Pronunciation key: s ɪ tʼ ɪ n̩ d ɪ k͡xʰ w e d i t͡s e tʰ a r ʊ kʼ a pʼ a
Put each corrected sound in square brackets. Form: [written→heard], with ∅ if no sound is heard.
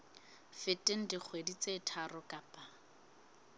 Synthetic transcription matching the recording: [s→f] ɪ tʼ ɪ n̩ d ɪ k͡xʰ w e d i t͡s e tʰ a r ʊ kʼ a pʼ a